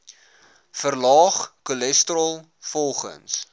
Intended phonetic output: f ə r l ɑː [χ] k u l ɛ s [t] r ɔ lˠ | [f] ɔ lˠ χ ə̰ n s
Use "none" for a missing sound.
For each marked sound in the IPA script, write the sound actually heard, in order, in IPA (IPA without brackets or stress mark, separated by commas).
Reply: χ, t, f